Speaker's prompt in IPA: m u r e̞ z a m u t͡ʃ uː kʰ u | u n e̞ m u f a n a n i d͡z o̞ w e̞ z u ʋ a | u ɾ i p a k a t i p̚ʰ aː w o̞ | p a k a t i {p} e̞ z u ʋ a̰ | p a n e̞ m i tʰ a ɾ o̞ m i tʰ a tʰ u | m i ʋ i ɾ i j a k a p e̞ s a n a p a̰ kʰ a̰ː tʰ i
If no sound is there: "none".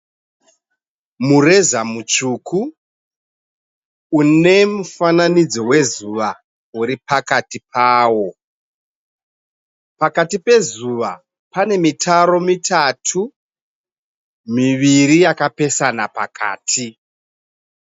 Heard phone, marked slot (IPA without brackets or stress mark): p